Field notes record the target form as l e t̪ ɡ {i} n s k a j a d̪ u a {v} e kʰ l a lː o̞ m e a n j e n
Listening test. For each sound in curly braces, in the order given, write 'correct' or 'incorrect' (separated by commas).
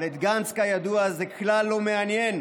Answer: incorrect, incorrect